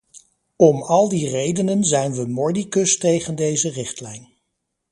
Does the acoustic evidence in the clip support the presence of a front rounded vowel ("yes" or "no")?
no